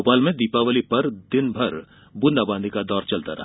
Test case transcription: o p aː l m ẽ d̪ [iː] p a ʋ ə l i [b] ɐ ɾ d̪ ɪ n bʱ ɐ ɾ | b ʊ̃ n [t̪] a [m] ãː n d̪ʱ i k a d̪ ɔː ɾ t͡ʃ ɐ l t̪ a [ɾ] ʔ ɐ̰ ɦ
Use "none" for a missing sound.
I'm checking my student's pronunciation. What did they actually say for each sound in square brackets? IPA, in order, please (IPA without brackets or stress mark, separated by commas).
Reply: iː, p, d̪, b, ɾ